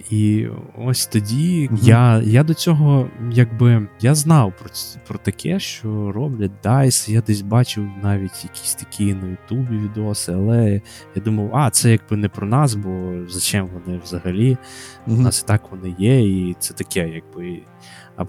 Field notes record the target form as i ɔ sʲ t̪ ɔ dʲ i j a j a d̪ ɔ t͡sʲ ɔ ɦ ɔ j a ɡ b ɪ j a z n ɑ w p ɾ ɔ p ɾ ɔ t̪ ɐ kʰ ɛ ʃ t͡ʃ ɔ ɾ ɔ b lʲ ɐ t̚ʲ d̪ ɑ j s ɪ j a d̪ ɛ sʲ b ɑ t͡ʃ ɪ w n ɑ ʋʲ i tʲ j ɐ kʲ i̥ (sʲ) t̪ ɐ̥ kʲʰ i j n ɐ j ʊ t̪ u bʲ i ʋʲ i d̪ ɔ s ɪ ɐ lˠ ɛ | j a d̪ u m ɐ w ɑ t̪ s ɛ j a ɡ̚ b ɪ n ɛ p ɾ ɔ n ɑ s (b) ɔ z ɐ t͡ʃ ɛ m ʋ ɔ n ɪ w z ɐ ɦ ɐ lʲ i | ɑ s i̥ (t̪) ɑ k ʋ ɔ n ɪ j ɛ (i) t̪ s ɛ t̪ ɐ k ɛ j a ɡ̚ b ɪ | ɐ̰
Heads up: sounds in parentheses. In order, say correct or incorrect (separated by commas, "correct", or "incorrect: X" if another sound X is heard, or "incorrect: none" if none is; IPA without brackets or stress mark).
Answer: correct, correct, correct, correct